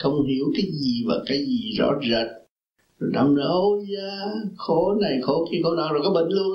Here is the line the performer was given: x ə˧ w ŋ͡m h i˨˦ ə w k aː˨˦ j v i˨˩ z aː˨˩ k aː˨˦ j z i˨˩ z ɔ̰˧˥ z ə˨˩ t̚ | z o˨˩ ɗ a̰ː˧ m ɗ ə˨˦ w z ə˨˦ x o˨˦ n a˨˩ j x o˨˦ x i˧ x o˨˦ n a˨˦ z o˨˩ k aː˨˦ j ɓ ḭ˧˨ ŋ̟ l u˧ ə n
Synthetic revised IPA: x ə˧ w ŋ͡m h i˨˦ ə w k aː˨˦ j z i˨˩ v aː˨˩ k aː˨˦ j z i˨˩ z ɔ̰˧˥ z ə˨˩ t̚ | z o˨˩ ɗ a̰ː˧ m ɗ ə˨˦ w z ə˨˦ x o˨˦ n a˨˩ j x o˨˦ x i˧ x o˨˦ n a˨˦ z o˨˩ k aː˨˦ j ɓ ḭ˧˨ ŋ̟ l u˧ ə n